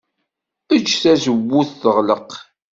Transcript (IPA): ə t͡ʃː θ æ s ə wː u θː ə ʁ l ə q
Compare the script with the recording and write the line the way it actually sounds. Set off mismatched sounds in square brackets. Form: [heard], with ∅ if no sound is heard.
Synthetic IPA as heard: ə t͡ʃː θ æ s ə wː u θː ə ʁ l ə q